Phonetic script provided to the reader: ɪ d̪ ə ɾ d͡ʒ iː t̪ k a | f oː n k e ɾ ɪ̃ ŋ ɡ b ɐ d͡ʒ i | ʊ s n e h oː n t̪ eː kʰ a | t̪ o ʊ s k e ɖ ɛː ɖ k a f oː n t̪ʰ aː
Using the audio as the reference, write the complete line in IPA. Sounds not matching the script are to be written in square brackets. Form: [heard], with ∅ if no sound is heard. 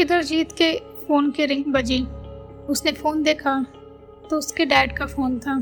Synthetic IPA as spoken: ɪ d̪ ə ɾ d͡ʒ iː t̪ k [e] | f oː n k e ɾ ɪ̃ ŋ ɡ b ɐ d͡ʒ i | ʊ s n e [f] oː n [d̪] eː kʰ a | t̪ o ʊ s k e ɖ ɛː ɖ k a f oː n t̪ʰ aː